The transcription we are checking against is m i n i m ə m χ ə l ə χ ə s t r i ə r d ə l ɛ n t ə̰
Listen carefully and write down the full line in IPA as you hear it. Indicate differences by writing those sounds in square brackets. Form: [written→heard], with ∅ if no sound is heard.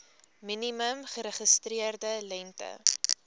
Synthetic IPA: m i n i m ə m χ ə [l→ɾ] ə χ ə s t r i ə r d ə l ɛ n t ə̰